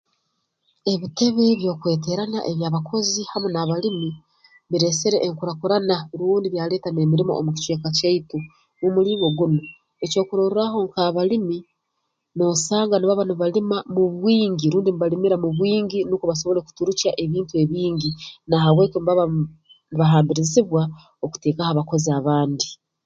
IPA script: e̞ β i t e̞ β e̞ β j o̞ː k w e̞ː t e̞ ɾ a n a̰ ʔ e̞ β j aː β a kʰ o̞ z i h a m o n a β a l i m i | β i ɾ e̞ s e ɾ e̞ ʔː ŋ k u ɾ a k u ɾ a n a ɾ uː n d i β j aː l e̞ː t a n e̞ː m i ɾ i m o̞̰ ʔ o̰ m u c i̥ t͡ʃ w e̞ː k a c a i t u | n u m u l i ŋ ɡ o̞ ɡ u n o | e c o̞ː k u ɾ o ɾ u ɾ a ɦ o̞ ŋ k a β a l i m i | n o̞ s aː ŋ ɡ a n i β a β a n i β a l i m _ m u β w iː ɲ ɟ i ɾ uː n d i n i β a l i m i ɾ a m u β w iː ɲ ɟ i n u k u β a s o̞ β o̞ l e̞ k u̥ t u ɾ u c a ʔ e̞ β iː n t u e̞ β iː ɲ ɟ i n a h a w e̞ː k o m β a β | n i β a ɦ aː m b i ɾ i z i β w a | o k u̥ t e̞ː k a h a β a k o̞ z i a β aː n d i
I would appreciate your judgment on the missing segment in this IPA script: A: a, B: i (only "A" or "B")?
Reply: A